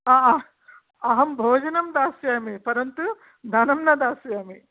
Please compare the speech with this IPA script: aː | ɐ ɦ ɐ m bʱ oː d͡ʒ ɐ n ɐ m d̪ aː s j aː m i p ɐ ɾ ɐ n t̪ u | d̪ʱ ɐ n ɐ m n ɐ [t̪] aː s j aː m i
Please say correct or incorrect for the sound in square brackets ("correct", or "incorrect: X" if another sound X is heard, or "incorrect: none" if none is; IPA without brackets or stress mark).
incorrect: d̪